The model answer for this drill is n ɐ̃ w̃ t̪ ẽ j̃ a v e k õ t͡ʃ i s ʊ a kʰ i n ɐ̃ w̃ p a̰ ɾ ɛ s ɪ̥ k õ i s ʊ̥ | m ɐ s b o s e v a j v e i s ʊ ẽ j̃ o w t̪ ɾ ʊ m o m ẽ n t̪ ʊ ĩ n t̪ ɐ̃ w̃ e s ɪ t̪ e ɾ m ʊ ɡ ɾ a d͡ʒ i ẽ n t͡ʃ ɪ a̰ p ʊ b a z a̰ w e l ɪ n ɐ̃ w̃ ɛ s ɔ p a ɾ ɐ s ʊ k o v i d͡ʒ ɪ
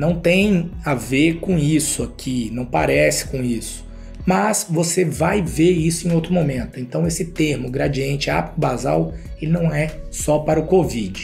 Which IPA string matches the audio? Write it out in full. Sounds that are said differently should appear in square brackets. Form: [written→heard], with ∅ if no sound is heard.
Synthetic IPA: n ɐ̃ w̃ t̪ ẽ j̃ a v e k õ [t͡ʃ→∅] i s ʊ a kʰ i n ɐ̃ w̃ p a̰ ɾ ɛ s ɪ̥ k õ i s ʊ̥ | m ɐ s [b→v] o s e v a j v e i s ʊ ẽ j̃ o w t̪ ɾ ʊ m o m ẽ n t̪ ʊ [ĩ→ẽ] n t̪ ɐ̃ w̃ e s ɪ t̪ e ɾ m ʊ ɡ ɾ a d͡ʒ i ẽ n t͡ʃ ɪ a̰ p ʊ b a z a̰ w e l ɪ n ɐ̃ w̃ ɛ s ɔ p a ɾ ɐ [s→∅] ʊ k o v i d͡ʒ ɪ